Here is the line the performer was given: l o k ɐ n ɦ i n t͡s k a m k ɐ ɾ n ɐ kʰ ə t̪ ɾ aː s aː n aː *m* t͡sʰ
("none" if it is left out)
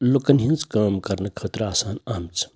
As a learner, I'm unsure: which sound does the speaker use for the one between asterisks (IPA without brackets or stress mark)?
m